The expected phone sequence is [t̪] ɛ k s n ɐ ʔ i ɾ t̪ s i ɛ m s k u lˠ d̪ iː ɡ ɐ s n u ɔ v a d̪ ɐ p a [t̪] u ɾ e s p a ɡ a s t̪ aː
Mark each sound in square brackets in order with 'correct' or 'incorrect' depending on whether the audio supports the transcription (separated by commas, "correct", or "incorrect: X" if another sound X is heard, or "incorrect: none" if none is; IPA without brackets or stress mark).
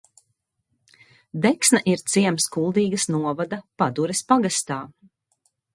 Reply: incorrect: d̪, incorrect: d̪